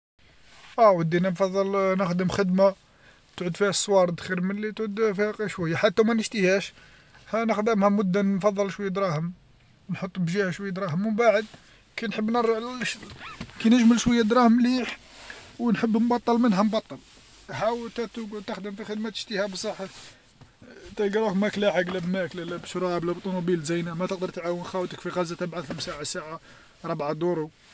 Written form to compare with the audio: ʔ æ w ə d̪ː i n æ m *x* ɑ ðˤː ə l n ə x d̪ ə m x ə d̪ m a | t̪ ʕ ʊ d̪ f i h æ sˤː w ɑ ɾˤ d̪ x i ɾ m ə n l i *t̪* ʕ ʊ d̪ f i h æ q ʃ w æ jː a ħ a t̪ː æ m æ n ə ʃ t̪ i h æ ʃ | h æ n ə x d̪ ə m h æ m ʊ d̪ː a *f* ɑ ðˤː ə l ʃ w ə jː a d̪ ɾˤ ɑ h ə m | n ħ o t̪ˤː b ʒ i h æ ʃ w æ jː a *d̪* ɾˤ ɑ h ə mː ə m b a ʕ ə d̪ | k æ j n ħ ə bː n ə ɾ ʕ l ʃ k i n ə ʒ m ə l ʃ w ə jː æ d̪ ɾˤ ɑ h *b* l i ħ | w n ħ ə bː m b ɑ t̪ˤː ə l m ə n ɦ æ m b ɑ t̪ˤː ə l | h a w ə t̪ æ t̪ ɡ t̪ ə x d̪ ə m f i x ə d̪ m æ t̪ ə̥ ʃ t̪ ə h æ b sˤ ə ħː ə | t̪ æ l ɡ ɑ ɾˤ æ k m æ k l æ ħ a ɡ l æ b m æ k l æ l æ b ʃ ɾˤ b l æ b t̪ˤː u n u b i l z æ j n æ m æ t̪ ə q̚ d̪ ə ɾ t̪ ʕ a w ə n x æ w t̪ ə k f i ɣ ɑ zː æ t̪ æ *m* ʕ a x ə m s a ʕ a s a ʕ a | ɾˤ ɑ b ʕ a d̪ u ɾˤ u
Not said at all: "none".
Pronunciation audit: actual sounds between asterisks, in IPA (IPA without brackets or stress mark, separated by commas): f, t̪, f, d̪, m, b